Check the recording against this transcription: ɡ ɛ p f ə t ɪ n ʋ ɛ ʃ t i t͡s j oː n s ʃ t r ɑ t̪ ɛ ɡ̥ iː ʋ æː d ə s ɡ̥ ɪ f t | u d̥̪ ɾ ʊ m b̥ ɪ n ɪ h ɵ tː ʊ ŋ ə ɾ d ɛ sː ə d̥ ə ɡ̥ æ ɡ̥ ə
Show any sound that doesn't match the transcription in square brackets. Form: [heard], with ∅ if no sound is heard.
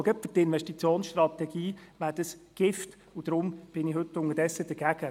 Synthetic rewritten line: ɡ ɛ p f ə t ɪ n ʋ ɛ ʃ t i t͡s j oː n s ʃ t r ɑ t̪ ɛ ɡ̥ iː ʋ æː d ə s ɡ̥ ɪ f t | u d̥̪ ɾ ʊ m b̥ ɪ n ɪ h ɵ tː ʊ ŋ ə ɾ d ɛ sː ə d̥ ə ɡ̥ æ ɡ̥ ə